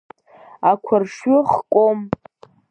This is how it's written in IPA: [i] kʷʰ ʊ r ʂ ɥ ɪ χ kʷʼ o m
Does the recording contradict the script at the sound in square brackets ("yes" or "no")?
yes